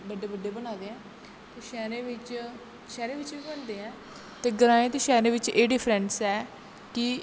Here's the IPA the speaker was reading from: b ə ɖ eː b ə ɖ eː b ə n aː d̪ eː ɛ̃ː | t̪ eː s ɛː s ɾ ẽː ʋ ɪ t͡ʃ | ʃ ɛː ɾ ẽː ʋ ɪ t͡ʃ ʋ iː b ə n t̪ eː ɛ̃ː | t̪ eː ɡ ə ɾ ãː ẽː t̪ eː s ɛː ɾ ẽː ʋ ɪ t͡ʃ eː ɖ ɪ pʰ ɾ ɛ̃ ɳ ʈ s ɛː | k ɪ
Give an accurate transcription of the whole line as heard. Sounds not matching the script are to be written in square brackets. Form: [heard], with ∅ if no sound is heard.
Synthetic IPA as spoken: b ə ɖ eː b ə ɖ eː b ə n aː d̪ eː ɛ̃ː | t̪ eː [ʃ] ɛː [∅] ɾ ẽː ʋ ɪ t͡ʃ | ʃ ɛː ɾ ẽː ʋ ɪ t͡ʃ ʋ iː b ə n [d̪] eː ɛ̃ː | t̪ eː ɡ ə ɾ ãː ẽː t̪ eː [ʃ] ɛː ɾ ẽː ʋ ɪ t͡ʃ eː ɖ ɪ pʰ ɾ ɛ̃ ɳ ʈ s ɛː | k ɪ